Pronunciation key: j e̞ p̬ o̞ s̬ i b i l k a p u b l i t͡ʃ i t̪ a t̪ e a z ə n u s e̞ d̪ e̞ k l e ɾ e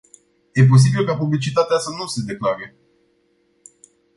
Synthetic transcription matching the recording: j e̞ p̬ o̞ s̬ i b i l k a p u b l i t͡ʃ i t̪ a t̪ e a s ə n u s e̞ d̪ e̞ k l a ɾ e